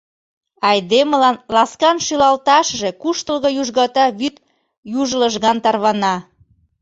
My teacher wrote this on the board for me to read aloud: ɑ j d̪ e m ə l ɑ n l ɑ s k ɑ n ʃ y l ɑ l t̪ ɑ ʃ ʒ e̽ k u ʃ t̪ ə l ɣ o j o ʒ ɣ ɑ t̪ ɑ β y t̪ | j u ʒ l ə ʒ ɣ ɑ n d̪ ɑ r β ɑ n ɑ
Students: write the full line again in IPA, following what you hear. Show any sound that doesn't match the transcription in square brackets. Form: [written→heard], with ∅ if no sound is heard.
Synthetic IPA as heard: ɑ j d̪ e m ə l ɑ n l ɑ s k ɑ n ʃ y l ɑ l t̪ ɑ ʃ ʒ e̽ k u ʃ t̪ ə l ɣ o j [o→u] ʒ ɣ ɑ t̪ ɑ β y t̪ | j u ʒ l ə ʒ ɣ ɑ n [d̪→t̪] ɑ r β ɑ n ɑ